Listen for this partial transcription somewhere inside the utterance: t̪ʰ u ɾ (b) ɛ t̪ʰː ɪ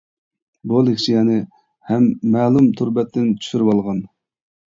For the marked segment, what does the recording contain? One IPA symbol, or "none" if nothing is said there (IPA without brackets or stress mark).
b